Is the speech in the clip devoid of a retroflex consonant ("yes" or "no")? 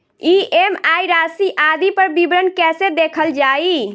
yes